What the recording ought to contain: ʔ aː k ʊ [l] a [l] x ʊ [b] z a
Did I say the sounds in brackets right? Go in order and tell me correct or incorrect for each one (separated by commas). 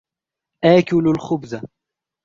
correct, correct, correct